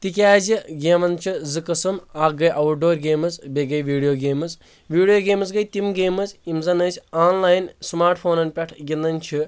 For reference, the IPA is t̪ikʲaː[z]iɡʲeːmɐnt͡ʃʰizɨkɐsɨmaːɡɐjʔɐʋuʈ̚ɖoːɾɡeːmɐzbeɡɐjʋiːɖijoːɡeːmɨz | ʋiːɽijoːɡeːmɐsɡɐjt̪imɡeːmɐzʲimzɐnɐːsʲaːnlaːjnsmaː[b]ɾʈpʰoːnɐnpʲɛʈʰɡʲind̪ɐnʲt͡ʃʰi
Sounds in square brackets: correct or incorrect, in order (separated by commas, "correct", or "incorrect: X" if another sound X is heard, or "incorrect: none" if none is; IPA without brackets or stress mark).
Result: correct, incorrect: none